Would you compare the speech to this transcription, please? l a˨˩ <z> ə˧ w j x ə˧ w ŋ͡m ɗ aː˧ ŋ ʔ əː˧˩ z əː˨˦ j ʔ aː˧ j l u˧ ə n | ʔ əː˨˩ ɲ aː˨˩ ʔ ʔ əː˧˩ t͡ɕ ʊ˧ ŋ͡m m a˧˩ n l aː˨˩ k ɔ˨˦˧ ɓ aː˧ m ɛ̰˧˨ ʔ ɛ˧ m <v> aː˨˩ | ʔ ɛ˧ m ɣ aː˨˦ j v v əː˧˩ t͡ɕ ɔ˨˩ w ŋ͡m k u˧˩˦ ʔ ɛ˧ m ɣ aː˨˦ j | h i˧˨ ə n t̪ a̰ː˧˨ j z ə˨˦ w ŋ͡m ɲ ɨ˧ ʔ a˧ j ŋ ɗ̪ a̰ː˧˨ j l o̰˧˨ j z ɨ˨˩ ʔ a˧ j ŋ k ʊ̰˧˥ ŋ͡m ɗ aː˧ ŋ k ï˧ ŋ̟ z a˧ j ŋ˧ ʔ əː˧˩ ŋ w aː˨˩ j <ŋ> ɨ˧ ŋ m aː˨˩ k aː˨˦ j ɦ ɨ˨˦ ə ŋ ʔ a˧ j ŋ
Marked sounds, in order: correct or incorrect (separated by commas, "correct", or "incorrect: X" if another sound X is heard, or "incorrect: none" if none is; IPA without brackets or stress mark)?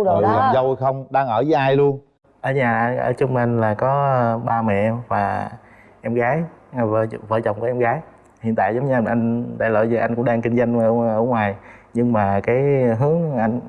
correct, correct, incorrect: ɲ